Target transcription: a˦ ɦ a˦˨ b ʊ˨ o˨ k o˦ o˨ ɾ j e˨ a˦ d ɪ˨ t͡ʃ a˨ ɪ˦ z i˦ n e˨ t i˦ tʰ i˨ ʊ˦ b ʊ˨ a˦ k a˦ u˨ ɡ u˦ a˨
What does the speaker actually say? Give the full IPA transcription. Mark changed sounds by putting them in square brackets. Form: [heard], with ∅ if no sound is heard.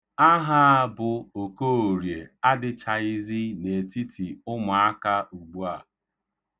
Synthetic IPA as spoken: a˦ ɦ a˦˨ b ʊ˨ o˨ k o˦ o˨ ɾ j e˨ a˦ d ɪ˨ t͡ʃ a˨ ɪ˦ z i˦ n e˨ t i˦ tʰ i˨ ʊ˦ [m] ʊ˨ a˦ k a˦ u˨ [ɡ͡b] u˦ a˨